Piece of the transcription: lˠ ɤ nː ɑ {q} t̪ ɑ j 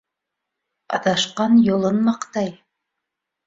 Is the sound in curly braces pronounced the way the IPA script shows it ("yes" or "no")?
yes